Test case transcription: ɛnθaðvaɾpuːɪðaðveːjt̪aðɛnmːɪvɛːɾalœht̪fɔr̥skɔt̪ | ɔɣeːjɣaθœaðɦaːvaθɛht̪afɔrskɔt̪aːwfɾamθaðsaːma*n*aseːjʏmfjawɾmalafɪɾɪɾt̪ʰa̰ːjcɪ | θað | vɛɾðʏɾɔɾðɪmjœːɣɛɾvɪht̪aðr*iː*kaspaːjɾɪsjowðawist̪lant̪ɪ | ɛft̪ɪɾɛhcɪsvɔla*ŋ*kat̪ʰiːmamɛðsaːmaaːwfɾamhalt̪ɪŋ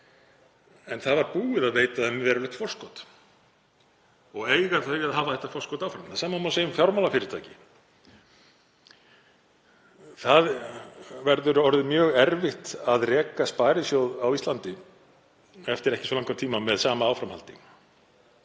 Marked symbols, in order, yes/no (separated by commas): no, no, yes